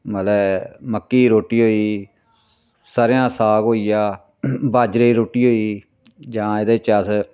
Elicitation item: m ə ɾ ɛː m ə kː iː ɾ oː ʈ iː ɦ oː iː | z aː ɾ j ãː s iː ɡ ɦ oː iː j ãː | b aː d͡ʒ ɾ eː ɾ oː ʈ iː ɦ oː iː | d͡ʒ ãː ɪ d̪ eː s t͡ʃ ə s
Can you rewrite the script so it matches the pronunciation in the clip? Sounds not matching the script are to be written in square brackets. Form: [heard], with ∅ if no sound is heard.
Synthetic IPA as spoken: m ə [l] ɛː m ə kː iː ɾ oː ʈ iː ɦ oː iː | [s] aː ɾ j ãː s [aː] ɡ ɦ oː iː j [aː] | b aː d͡ʒ ɾ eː ɾ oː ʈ iː ɦ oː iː | d͡ʒ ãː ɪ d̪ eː [∅] t͡ʃ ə s